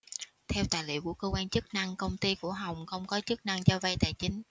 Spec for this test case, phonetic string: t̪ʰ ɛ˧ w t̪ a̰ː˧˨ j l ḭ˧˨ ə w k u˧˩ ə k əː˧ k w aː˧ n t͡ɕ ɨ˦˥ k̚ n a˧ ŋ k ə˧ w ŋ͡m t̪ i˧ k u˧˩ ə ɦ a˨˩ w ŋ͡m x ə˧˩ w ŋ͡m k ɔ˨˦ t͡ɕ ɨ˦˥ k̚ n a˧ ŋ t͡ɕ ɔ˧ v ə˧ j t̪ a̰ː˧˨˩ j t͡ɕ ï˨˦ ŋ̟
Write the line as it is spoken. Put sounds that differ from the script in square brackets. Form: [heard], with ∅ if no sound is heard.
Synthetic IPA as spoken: t̪ʰ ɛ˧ w t̪ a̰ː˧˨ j l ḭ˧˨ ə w k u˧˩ ə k əː˧ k w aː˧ n t͡ɕ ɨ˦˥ k̚ n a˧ ŋ k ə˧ w ŋ͡m t̪ i˧ k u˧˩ ə ɦ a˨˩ w ŋ͡m x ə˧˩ w ŋ͡m k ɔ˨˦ t͡ɕ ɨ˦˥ k̚ n a˧ ŋ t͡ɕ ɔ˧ v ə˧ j t̪ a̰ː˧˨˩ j t͡ɕ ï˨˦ ŋ̟